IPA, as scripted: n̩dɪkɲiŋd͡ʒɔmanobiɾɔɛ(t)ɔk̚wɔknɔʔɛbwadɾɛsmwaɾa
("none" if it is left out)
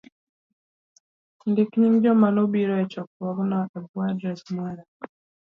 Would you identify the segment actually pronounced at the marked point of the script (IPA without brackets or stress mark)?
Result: t͡ʃ